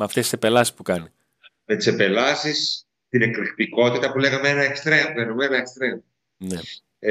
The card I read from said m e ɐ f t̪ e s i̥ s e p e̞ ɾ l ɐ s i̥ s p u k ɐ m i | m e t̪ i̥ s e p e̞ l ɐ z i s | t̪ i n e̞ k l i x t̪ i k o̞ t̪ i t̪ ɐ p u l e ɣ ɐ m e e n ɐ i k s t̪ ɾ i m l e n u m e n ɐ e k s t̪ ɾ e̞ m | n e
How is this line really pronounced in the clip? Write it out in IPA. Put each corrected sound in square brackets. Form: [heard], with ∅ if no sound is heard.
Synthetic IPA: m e ɐ f t̪ e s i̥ s e p e̞ [∅] l ɐ s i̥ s p u k ɐ [n] i | m e t̪ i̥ s e p e̞ l ɐ [s] i s | t̪ i n e̞ k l i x t̪ i k o̞ t̪ i t̪ ɐ p u l e ɣ ɐ m e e n ɐ [e] k s t̪ ɾ [e] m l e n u m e n ɐ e k s t̪ ɾ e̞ m | n e